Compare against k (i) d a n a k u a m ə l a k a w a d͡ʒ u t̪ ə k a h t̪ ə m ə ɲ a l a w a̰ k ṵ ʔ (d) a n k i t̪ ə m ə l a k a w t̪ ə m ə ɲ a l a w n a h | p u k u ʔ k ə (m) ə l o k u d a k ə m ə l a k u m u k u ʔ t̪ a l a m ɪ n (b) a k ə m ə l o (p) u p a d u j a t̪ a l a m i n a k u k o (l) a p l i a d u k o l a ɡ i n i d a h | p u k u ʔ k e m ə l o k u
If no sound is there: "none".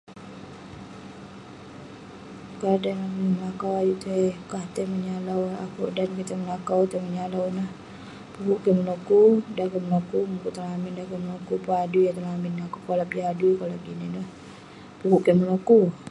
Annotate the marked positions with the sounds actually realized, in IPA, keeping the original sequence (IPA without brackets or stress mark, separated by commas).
a, d, m, d, k, l